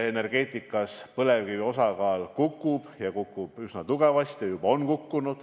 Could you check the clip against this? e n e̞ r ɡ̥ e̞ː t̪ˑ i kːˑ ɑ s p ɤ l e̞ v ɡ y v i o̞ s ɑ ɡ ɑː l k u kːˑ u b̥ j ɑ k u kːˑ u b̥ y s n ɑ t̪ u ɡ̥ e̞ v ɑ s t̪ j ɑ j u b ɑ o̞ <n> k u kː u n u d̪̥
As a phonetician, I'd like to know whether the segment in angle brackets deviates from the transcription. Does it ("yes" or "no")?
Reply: no